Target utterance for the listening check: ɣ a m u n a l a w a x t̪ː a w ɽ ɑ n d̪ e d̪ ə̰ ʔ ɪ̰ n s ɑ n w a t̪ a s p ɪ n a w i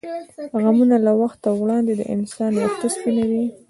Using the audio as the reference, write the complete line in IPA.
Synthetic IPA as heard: ɣ a m u n a l a w a x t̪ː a w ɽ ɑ n d̪ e d̪ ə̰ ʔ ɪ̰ n s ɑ n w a t̪ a s p i n a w i